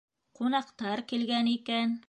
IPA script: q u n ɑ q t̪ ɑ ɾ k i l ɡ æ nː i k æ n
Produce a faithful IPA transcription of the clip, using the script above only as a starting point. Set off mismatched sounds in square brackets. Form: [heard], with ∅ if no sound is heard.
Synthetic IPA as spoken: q u n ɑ q t̪ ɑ ɾ k i l ɡ æ [n] i k æ n